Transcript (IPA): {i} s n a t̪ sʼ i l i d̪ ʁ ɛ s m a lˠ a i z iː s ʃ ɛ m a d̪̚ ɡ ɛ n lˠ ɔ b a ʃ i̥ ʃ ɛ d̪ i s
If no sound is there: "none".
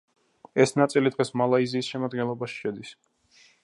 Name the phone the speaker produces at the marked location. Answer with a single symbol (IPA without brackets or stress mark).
ɛ